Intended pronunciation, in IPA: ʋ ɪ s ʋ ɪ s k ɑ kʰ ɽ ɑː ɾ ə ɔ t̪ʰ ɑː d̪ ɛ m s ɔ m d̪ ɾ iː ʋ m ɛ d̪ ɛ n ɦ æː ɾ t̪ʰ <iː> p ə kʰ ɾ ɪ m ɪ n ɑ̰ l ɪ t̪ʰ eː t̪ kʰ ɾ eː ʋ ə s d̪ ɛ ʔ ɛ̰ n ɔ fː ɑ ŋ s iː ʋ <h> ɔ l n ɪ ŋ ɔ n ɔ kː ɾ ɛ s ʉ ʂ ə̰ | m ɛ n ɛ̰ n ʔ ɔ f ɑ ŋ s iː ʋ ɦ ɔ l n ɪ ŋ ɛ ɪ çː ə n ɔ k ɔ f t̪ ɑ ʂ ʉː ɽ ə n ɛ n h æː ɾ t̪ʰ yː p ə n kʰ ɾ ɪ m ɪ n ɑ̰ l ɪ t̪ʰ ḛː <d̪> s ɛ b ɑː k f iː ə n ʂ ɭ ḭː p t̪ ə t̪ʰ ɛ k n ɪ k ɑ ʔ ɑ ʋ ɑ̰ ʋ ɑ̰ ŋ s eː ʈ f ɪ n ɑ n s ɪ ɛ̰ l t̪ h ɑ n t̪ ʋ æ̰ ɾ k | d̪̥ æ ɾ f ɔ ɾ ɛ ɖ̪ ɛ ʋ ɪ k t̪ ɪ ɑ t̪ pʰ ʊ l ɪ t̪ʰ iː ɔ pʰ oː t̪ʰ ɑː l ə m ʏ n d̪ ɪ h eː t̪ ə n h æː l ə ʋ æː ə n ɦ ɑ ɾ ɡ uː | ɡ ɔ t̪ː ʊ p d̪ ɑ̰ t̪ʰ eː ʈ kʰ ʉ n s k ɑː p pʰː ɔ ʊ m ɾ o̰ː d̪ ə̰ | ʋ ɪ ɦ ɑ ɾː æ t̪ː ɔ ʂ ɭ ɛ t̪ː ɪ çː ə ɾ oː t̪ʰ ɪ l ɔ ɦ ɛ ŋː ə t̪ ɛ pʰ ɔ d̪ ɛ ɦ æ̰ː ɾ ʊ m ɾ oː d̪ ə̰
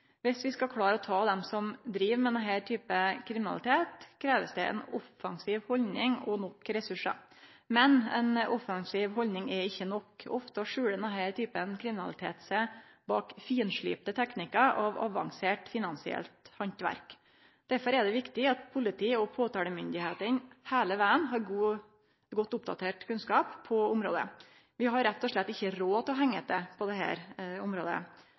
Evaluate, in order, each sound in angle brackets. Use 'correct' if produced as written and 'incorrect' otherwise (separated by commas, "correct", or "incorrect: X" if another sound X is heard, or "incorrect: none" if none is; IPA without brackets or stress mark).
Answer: incorrect: yː, correct, incorrect: t̪